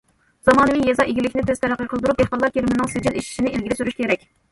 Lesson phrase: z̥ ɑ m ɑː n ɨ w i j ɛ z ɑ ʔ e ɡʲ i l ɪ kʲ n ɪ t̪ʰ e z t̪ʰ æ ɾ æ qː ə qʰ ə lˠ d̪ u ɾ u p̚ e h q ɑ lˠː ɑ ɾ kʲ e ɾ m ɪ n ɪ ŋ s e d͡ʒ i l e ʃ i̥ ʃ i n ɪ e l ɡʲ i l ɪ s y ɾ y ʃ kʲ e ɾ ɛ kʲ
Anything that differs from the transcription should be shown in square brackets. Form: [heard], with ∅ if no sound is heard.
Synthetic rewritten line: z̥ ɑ m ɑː n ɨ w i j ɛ z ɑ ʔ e ɡʲ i l ɪ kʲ n ɪ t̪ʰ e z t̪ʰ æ ɾ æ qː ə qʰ ə lˠ d̪ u ɾ u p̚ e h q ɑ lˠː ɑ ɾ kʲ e ɾ m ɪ n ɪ ŋ s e d͡ʒ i l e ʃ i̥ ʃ i n ɪ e l ɡʲ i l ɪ s y ɾ y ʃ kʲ e ɾ ɛ kʲ